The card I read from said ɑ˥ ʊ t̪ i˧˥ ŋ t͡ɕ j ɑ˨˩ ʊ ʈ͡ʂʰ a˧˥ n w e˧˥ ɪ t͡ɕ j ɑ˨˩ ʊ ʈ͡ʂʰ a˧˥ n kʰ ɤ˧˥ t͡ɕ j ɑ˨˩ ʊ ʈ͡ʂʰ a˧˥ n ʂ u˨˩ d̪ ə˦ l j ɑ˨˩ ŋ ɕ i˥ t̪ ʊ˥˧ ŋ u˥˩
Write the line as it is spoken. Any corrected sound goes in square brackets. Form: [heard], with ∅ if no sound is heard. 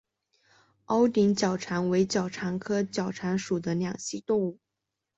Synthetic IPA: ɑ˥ ʊ t̪ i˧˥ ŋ t͡ɕ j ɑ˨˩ ʊ ʈ͡ʂʰ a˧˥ n w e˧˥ ɪ t͡ɕ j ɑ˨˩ ʊ ʈ͡ʂʰ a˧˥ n kʰ [ɤ˥] t͡ɕ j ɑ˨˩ ʊ ʈ͡ʂʰ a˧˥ n ʂ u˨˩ d̪ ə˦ l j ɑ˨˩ ŋ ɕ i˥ t̪ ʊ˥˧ ŋ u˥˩